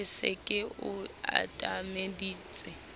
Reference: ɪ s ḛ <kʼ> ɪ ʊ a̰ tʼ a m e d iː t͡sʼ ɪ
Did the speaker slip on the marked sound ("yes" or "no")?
no